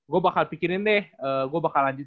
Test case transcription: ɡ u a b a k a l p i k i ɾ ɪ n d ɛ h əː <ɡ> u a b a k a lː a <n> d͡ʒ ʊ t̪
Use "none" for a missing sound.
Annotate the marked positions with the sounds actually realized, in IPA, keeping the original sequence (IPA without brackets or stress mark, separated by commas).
ɡ, ɲ